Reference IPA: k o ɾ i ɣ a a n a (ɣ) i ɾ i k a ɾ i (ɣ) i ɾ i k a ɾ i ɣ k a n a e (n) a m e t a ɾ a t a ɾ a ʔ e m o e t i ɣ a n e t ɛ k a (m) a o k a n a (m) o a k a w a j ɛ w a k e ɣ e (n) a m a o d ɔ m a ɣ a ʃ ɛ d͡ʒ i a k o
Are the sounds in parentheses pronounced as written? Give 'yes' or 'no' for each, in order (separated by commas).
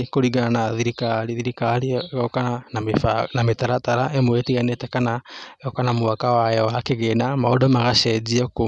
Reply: no, no, yes, no, yes, yes